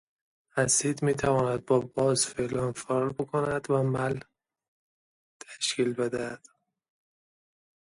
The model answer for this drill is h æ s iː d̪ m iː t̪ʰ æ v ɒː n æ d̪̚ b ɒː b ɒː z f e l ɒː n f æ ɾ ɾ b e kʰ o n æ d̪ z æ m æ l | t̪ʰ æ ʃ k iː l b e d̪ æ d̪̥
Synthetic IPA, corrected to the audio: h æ s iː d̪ m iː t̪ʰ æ v ɒː n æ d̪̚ b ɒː b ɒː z f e l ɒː n f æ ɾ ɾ b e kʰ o n æ d̪ v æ m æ l | t̪ʰ æ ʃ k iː l b e d̪ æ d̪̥